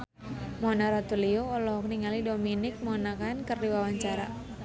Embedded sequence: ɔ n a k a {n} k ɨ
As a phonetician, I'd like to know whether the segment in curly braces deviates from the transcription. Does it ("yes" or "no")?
no